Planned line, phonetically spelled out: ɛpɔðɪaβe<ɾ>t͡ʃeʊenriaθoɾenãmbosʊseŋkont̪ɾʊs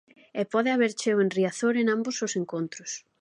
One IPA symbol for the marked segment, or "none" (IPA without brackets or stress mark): ɾ